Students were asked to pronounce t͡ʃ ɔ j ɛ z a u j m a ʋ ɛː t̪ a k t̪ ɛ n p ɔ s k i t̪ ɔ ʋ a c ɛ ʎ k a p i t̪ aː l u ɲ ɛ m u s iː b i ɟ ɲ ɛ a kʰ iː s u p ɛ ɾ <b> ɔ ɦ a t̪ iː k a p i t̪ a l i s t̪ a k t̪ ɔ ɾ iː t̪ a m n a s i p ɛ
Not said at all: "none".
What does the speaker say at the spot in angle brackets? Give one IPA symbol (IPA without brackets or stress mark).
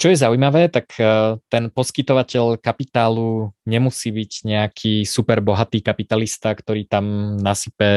b